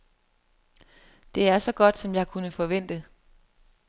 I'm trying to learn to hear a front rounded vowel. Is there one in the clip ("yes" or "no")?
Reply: no